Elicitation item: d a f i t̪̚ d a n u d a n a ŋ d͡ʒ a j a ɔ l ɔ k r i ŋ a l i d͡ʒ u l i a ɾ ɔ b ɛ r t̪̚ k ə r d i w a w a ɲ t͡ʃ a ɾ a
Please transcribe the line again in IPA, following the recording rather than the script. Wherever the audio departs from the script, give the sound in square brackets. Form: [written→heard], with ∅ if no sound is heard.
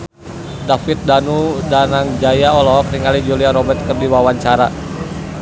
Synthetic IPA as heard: d a f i t̪̚ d a n u d a n a ŋ d͡ʒ a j a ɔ l ɔ k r i ŋ a l i d͡ʒ u l i a ɾ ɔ b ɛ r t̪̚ k ə r d i w a w a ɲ t͡ʃ a ɾ a

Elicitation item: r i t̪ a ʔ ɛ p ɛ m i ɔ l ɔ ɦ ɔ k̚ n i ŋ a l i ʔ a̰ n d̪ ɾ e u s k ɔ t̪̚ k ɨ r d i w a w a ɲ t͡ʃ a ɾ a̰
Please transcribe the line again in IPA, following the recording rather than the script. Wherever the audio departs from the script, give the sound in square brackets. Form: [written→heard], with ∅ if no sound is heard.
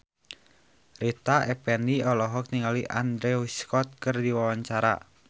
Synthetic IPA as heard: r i t̪ a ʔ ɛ p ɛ [m→n] i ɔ l ɔ ɦ ɔ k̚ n i ŋ a l i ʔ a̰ n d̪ ɾ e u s k ɔ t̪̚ k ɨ r d i w a w a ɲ t͡ʃ a ɾ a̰

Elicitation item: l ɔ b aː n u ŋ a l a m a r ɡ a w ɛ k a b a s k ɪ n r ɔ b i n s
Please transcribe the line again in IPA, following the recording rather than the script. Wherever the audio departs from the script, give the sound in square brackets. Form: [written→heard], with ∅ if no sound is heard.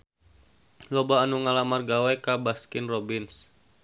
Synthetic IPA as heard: l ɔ b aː n u ŋ a l a m a r ɡ a w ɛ k a b a s k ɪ n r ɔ b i n s

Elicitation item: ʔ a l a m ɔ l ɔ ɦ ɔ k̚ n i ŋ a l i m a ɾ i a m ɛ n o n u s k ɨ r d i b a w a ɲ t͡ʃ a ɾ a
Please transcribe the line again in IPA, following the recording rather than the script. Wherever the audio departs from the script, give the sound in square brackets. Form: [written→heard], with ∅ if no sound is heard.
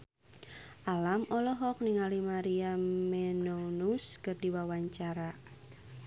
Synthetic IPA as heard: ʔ a l a m ɔ l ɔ ɦ ɔ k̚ n i ŋ a l i m a ɾ i a m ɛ n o n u s k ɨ r d i [b→w] a w a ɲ t͡ʃ a ɾ a

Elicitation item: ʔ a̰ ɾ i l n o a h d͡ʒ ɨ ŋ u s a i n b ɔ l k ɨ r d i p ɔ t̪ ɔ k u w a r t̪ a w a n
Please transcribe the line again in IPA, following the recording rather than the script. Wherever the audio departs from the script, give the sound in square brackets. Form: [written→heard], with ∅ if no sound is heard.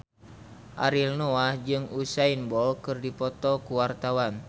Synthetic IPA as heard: ʔ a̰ ɾ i l n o a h d͡ʒ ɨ ŋ u s a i n b ɔ l k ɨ r d i p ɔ t̪ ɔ k u w a r t̪ a w a n

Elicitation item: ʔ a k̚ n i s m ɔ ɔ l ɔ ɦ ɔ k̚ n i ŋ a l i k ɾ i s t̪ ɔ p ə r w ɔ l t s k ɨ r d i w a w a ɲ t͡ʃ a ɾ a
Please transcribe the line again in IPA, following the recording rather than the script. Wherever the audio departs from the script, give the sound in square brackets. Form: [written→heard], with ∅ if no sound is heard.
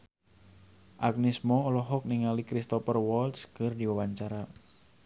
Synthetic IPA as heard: ʔ a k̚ n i s m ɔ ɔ l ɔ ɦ ɔ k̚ n i ŋ a l i k ɾ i s t̪ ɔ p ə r w ɔ l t s k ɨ r d i w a w a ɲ t͡ʃ a ɾ a

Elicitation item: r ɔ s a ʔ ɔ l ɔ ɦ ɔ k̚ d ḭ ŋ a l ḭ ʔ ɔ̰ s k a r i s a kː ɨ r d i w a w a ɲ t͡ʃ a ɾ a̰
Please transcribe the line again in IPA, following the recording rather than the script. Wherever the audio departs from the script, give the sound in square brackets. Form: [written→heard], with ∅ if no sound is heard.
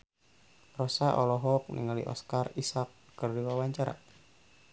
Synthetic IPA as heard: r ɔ s a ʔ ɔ l ɔ ɦ ɔ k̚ [d→n] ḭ ŋ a l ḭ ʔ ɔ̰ s k a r i s a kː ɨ r d i w a w a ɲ t͡ʃ a ɾ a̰

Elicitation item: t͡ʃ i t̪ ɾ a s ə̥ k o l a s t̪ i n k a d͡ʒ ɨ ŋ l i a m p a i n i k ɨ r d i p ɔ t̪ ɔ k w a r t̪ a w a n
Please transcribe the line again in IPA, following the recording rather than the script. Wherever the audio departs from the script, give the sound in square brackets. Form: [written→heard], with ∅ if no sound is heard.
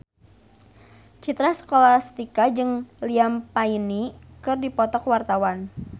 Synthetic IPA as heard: t͡ʃ i t̪ ɾ a s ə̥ k o l a s t̪ i [n→∅] k a d͡ʒ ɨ ŋ l i a m p a i n i k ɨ r d i p ɔ t̪ ɔ k w a r t̪ a w a n

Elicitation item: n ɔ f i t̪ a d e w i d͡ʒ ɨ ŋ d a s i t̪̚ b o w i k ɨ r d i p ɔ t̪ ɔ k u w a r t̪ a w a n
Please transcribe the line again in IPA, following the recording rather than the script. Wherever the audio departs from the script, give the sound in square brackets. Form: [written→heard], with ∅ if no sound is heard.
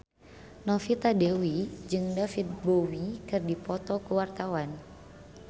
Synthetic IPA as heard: n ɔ f i t̪ a d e w i d͡ʒ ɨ ŋ d a [s→f] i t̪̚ b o w i k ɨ r d i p ɔ t̪ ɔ k u w a r t̪ a w a n

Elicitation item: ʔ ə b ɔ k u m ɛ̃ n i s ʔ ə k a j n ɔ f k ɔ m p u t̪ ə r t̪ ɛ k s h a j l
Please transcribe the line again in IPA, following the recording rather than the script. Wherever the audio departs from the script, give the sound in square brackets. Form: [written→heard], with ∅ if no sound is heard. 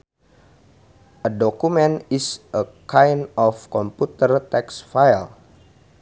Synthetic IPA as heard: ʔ ə [b→d] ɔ k u m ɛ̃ n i s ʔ ə k a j n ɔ f k ɔ m p u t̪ ə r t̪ ɛ k s [h→f] a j l

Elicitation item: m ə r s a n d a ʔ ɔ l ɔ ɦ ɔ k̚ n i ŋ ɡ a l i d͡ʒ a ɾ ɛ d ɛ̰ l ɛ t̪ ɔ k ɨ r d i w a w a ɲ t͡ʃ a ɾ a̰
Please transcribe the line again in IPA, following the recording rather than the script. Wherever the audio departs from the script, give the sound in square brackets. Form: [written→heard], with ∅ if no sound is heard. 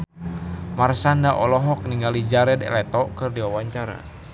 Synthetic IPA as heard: m [ə→a] r s a n d a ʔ ɔ l ɔ ɦ ɔ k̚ n i ŋ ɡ a l i d͡ʒ a ɾ ɛ d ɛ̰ l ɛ t̪ ɔ k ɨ r d i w a w a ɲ t͡ʃ a ɾ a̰

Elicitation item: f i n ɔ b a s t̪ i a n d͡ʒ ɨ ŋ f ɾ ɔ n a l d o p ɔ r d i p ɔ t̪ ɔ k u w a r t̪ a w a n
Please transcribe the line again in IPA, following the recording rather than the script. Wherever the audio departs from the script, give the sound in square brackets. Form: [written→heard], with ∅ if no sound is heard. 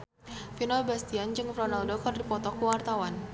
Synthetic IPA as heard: f i n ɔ b a s t̪ i a n d͡ʒ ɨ ŋ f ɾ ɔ n a l d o [p→k] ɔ r d i p ɔ t̪ ɔ k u w a r t̪ a w a n

